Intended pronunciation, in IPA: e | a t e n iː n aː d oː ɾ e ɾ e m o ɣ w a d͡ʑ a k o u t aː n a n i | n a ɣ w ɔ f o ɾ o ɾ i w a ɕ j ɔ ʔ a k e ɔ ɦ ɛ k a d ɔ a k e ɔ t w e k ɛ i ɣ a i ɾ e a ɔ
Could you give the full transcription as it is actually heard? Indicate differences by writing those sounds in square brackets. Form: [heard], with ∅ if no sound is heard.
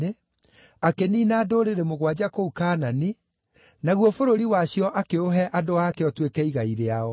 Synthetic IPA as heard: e | a [k] e n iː n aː d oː ɾ e ɾ e m o ɣ w a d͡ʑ a k o u [k] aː n a n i | n a ɣ w ɔ f o ɾ o ɾ i w a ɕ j ɔ ʔ a k e [o] ɦ ɛ [ʔ] a d [o] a k e ɔ t w e k ɛ i ɣ a i ɾ e a ɔ